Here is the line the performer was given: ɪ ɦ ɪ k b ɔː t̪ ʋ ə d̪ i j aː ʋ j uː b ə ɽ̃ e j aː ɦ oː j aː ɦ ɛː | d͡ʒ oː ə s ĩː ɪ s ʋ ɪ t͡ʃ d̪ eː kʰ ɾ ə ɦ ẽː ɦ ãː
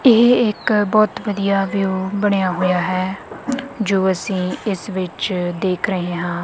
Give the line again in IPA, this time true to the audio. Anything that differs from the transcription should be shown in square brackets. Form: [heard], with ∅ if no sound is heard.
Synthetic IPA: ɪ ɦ ɪ k b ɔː t̪ ʋ ə d̪ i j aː ʋ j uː b ə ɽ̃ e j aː ɦ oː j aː ɦ ɛː | d͡ʒ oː ə s ĩː ɪ s ʋ ɪ t͡ʃ d̪ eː kʰ ɾ ə ɦ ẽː ɦ ãː